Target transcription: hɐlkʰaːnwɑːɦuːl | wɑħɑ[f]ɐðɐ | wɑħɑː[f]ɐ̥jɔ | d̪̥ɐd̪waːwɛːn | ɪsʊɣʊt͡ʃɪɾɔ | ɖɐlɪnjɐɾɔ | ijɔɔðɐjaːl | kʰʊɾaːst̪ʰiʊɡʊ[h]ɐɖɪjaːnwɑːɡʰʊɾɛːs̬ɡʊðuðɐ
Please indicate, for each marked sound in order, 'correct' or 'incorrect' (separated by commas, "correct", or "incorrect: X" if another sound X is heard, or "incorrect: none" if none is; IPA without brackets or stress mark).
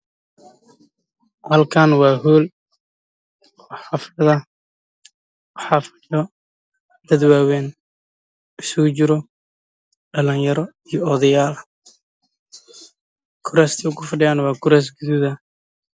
correct, correct, incorrect: f